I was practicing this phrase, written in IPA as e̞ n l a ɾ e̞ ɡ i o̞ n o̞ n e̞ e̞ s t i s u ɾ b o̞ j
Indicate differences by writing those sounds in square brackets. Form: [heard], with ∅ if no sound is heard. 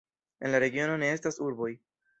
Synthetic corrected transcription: e̞ n l a ɾ e̞ ɡ i o̞ n o̞ n e̞ e̞ s t [a] s u ɾ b o̞ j